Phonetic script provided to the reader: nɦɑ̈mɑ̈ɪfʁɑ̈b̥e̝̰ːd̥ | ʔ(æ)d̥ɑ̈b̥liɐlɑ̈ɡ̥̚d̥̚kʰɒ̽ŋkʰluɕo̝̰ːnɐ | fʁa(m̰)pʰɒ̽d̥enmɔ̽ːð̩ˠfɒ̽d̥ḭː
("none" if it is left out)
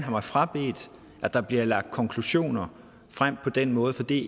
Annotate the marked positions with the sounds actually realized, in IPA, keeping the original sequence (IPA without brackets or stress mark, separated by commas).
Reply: æ, m̰